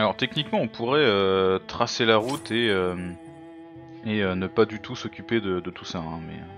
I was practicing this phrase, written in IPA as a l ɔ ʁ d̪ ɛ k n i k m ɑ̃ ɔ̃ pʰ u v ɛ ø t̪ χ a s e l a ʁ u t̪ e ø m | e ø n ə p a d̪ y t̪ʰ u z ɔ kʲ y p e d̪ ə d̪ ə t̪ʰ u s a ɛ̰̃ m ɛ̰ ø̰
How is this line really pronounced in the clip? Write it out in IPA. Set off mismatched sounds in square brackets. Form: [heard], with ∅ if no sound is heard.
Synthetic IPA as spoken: a l ɔ ʁ [t̪] ɛ k n i k m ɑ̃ ɔ̃ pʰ u [ʁ] ɛ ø t̪ χ a s e l a ʁ u t̪ e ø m | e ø n ə p a d̪ y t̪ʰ u [s] ɔ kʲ y p e d̪ ə d̪ ə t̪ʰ u s a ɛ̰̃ m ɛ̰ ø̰